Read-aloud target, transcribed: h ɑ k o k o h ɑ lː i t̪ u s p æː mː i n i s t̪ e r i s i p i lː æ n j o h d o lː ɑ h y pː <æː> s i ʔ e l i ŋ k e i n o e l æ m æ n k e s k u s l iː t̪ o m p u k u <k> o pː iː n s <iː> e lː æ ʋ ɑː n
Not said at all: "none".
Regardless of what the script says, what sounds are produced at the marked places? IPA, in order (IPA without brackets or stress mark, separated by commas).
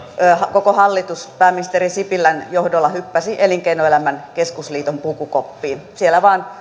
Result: æ, k, i